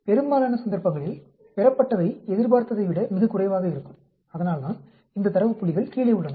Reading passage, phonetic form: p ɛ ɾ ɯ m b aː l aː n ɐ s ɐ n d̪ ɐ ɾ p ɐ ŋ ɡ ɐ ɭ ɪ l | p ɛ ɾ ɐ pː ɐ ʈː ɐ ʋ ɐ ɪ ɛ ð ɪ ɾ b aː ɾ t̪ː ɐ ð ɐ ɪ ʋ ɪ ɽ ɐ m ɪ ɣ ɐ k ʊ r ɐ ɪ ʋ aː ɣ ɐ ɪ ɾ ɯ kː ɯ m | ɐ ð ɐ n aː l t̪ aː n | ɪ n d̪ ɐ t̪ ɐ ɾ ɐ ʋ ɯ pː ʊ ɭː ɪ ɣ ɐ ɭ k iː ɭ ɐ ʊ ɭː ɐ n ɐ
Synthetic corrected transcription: p ɛ ɾ ɯ m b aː l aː n ɐ s ɐ n d̪ ɐ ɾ p ɐ ŋ ɡ ɐ ɭ ɪ l | p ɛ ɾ ɐ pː ɐ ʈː ɐ ʋ ɐ ɪ ɛ ð ɪ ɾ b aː ɾ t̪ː ɐ ð ɐ ɪ ʋ ɪ ɽ ɐ m ɪ ɣ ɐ k ʊ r ɐ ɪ ʋ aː ɣ ɐ ɪ ɾ ɯ kː ɯ m | ɐ ð ɐ n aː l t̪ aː n | ɪ n d̪ ɐ t̪ ɐ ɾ ɐ ʋ ɯ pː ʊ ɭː ɪ ɣ ɐ ɭ k iː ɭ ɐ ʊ ɭː ɐ n ɐ